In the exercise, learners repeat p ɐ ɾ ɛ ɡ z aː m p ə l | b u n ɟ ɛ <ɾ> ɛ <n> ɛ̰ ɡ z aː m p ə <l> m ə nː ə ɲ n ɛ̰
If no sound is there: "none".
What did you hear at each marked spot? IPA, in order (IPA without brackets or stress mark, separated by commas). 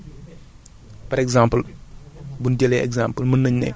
l, none, l